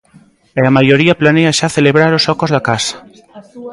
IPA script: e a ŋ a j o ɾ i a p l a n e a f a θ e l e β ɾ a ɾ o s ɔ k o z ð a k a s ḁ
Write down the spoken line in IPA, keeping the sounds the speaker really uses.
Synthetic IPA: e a m a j o ɾ i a p l a n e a ʃ a θ e l e β ɾ a ɾ o s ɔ k o z ð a k a s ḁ